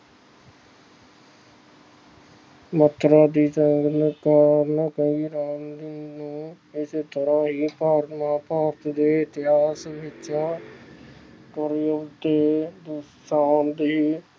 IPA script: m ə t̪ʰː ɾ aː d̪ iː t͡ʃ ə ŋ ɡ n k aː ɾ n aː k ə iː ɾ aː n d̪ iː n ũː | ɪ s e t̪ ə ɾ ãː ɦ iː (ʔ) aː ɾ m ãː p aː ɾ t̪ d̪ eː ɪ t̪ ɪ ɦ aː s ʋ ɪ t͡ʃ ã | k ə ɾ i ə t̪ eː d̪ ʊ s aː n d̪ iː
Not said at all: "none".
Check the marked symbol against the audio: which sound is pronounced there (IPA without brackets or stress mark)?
p